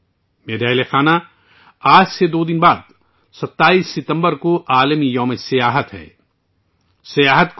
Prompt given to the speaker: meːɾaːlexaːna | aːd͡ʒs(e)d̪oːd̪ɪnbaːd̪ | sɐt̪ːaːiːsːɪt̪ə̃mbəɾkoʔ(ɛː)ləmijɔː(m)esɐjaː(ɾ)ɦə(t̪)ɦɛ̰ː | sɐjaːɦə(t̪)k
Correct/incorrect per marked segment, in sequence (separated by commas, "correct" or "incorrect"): correct, incorrect, correct, incorrect, correct, correct